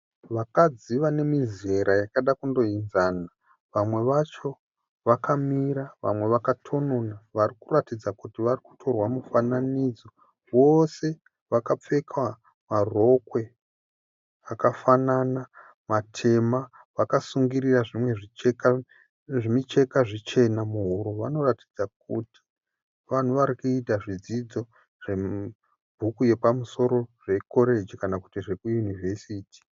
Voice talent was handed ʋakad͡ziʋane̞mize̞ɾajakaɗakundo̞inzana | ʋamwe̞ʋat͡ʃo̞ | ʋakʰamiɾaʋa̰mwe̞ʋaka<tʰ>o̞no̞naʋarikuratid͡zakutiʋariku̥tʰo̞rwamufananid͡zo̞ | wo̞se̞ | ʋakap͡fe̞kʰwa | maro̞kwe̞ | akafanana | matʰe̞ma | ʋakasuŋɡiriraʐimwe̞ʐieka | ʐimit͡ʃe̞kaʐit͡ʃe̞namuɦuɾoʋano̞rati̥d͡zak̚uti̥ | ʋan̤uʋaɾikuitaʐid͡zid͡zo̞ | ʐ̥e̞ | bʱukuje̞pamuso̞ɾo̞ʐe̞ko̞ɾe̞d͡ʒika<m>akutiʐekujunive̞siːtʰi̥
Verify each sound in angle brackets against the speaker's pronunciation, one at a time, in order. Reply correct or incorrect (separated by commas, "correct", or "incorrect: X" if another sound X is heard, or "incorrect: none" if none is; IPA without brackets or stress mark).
correct, incorrect: n